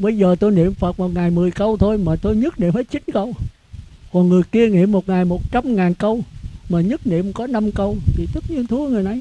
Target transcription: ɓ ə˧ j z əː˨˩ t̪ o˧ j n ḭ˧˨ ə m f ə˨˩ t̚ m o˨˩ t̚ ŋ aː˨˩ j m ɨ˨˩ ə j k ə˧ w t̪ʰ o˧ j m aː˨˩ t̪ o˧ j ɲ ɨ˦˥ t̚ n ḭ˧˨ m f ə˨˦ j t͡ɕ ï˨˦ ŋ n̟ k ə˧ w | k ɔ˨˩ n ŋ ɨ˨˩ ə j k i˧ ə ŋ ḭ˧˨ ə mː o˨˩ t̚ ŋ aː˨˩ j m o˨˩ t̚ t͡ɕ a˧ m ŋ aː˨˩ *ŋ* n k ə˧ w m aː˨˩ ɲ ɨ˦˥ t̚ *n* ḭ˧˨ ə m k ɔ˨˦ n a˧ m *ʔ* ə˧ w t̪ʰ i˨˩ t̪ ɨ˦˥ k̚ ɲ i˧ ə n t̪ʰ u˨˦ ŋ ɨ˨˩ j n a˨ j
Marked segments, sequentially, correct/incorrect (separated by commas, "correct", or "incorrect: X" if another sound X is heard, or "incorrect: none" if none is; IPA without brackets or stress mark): incorrect: none, correct, incorrect: k